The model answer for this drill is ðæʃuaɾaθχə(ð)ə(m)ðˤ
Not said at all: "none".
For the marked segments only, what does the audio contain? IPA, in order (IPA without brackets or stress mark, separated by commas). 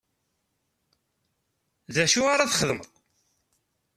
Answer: ð, m